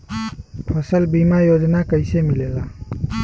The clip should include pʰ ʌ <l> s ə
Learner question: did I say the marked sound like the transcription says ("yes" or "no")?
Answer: no